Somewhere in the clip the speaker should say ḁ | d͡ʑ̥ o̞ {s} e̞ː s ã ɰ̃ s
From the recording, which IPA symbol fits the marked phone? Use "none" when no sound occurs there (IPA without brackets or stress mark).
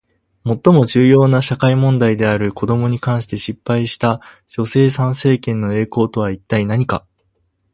s